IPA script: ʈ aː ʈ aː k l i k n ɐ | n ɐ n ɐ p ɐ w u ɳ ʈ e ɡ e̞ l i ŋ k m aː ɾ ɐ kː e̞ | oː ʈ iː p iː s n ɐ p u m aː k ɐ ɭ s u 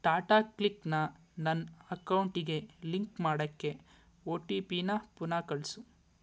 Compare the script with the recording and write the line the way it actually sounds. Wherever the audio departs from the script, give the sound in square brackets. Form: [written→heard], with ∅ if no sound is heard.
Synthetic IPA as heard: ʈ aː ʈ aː k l i k n ɐ | n ɐ n ɐ [p→k] ɐ w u ɳ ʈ [e→i] ɡ e̞ l i ŋ k m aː [ɾ→ɽ] ɐ kː e̞ | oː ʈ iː p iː [s→∅] n ɐ p u [m→n] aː k ɐ ɭ s u